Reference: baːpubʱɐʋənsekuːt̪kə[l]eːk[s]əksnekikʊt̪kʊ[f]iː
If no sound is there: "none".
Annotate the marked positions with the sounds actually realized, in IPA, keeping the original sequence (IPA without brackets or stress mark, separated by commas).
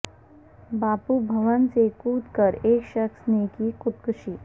ɾ, ʃ, ʃ